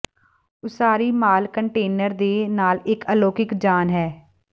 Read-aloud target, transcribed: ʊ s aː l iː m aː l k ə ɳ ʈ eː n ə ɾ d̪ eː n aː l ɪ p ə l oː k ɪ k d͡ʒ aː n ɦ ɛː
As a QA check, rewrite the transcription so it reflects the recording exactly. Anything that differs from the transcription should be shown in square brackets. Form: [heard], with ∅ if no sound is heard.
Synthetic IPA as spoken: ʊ s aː [ɾ] iː m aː l k ə ɳ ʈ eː n ə ɾ d̪ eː n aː l ɪ [k] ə l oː k ɪ k d͡ʒ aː n ɦ ɛː